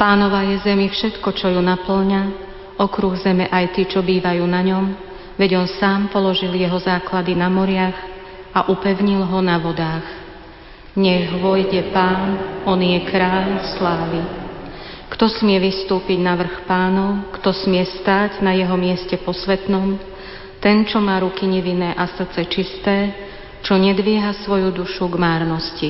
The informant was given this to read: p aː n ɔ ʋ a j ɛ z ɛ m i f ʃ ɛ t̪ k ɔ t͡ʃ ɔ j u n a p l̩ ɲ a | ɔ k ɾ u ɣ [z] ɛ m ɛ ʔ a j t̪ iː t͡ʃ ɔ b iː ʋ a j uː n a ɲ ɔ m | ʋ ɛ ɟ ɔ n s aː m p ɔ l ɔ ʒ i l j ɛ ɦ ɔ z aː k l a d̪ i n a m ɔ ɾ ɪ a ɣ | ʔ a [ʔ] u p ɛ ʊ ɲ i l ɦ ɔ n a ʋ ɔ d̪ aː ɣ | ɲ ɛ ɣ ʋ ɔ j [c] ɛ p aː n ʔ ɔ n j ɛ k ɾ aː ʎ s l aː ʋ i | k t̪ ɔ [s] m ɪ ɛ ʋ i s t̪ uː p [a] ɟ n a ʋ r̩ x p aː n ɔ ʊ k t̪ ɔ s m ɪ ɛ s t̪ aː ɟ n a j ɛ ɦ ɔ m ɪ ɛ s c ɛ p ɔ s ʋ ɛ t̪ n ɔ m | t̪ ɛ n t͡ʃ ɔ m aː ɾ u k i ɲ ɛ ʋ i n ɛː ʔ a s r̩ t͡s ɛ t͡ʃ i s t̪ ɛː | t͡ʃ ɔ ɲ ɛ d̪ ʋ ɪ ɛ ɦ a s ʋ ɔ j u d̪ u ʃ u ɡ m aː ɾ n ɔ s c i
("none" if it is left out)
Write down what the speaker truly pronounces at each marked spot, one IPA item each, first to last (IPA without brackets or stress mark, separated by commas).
z, ʔ, ɟ, s, i